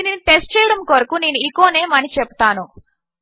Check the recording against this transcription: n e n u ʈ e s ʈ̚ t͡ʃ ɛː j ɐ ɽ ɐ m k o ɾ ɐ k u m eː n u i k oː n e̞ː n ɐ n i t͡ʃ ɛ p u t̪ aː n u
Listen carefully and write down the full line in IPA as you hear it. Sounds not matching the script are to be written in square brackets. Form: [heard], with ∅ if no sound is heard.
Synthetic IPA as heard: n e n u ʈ e s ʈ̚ t͡ʃ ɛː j ɐ ɽ ɐ m k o ɾ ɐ k u [n] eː n u i k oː n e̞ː [m] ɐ n i t͡ʃ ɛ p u t̪ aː n u